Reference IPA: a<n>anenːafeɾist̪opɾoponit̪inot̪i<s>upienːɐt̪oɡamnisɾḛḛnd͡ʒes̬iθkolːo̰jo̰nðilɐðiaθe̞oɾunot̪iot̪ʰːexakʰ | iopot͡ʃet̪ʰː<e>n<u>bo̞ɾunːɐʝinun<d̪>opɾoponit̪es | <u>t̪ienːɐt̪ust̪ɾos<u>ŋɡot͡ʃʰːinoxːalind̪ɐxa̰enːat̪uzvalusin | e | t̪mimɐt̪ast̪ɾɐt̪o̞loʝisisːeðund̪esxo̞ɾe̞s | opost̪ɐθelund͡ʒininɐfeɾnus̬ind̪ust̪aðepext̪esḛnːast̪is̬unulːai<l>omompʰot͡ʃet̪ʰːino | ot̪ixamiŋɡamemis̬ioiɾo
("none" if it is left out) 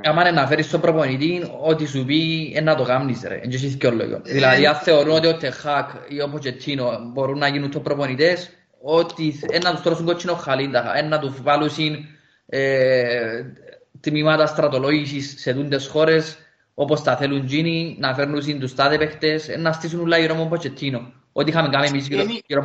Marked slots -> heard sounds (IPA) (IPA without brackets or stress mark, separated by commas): m, s, i, o, t̪, o, u, ɾ